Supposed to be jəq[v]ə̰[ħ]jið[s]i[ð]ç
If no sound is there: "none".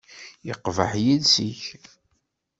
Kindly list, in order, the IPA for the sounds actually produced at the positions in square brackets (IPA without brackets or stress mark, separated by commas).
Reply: v, ħ, s, none